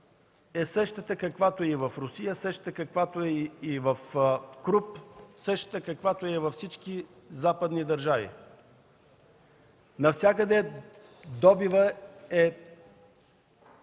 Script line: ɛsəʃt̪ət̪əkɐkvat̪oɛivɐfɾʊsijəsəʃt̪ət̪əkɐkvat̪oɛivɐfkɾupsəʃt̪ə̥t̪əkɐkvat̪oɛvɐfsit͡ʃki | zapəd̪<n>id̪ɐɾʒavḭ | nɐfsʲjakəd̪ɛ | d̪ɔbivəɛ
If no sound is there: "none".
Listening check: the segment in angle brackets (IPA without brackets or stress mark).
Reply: n